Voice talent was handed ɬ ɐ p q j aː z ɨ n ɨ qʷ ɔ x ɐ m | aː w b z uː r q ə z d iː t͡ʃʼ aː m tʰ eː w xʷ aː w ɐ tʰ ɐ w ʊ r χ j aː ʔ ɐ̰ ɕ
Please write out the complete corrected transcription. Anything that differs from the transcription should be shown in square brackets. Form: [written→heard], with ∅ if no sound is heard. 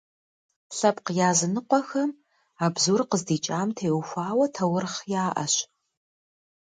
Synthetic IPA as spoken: ɬ ɐ p q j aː z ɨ n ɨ qʷ ɔ x ɐ m | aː [w→∅] b z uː r q ə z d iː t͡ʃʼ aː m tʰ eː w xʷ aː w ɐ tʰ ɐ w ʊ r χ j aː ʔ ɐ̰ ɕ